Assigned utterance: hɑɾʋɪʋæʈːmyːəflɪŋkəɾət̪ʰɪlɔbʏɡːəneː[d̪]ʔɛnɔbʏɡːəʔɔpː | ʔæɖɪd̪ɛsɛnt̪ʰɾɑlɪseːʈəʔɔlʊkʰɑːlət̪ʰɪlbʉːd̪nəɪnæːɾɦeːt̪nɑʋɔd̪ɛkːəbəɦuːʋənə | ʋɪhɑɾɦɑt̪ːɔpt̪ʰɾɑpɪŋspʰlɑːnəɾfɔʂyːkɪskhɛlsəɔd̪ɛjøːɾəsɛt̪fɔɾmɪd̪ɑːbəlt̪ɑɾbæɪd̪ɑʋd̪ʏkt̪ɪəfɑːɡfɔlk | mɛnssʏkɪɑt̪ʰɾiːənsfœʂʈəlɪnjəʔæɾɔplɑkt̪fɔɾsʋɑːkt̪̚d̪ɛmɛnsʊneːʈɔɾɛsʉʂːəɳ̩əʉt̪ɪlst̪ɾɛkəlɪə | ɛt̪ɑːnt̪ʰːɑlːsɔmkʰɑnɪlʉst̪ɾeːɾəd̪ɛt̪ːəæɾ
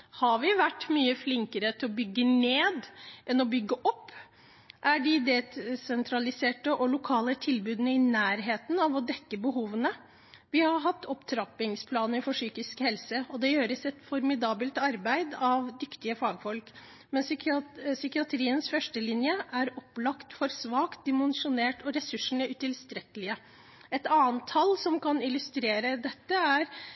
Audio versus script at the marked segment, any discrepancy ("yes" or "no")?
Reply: no